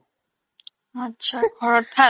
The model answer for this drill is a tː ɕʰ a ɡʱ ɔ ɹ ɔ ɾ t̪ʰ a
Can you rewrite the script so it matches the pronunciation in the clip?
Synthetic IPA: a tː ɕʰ a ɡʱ ɔ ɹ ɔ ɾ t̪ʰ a